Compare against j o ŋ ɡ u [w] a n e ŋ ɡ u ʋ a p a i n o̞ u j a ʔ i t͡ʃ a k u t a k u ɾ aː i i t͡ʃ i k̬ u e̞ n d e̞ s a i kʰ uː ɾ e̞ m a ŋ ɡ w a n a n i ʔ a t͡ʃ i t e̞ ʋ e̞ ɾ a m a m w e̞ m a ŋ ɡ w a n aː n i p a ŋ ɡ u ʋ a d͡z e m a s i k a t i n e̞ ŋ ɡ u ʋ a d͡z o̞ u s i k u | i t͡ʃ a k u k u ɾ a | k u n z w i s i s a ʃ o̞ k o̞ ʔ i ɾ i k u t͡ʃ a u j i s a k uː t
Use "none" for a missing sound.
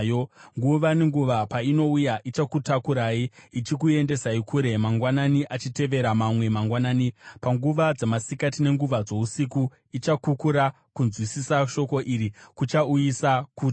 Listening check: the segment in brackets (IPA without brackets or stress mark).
ʋ